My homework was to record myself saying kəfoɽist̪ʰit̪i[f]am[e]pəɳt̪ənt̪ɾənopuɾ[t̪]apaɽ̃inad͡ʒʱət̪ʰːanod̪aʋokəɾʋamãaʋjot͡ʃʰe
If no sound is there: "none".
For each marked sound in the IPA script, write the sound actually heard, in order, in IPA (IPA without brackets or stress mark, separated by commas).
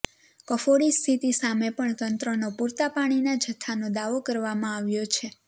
s, e, t̪